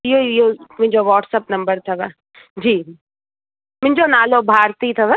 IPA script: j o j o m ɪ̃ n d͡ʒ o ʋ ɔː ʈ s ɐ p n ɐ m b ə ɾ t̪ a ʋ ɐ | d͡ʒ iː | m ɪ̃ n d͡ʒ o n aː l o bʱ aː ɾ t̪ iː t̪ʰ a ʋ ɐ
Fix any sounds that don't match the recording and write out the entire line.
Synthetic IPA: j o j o m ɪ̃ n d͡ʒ o ʋ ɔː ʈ s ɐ p n ɐ m b ə ɾ t̪ʰ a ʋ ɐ | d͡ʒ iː | m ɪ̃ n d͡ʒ o n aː l o bʱ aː ɾ t̪ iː t̪ʰ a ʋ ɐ